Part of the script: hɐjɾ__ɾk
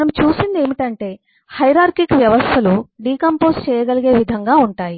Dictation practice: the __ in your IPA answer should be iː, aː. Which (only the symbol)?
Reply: aː